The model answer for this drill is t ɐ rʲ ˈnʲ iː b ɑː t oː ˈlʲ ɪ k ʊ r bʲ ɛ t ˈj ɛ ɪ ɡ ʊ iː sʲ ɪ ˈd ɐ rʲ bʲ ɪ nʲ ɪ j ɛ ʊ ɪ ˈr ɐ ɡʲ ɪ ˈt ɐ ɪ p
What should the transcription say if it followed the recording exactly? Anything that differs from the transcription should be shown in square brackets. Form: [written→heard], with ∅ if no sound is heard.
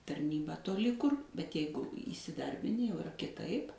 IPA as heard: t ɐ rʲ ˈnʲ iː b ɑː t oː ˈlʲ ɪ k ʊ r bʲ ɛ t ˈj ɛ ɪ ɡ ʊ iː sʲ ɪ ˈd ɐ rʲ bʲ ɪ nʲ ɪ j ɛ ʊ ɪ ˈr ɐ [ɡʲ→kʲ] ɪ ˈt ɐ ɪ p